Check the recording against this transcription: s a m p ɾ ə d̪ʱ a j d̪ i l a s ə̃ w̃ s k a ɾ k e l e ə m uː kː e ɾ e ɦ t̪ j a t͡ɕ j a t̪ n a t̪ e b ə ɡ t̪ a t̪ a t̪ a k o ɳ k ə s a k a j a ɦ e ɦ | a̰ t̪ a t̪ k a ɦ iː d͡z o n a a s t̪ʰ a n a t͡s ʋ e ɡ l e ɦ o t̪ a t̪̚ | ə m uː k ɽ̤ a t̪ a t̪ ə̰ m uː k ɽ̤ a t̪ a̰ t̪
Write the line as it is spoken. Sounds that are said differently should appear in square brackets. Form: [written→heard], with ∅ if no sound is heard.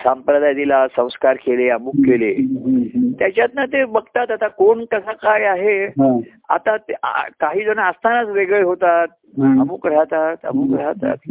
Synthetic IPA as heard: s a m p ɾ ə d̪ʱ a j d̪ i l a s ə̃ w̃ s k a ɾ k e l e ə m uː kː e [ɾ→l] e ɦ t̪ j a t͡ɕ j a t̪ n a t̪ e b ə ɡ t̪ a t̪ a t̪ a k o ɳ k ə s a k a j a ɦ e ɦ | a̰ t̪ a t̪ k a ɦ iː d͡z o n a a s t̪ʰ a n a t͡s ʋ e ɡ [l→ɭ] e ɦ o t̪ a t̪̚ | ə m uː k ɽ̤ a t̪ a t̪ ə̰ m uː k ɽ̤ a t̪ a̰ t̪